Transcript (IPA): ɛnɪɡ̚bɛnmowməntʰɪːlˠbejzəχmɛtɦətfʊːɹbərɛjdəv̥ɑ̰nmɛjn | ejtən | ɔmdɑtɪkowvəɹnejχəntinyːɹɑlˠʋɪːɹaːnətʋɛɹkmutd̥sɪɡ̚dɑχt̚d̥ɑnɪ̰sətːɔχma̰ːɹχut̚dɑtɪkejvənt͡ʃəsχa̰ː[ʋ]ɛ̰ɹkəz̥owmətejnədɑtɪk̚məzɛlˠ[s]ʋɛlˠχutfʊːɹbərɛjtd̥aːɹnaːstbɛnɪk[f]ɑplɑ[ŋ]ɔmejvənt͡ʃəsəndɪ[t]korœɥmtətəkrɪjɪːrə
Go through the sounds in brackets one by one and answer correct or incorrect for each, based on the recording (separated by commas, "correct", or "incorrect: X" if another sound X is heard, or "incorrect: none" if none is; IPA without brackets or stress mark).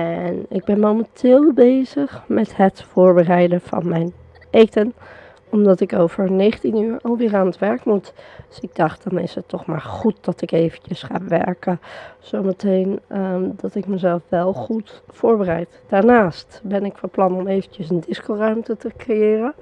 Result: correct, incorrect: f, correct, incorrect: n, incorrect: s